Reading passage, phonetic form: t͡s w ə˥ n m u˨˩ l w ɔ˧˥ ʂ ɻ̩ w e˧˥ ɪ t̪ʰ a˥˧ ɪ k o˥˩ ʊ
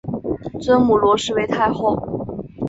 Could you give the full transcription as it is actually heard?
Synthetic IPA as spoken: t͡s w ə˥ n m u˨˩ l w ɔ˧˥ ʂ ɻ̩ w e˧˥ ɪ t̪ʰ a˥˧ ɪ x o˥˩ ʊ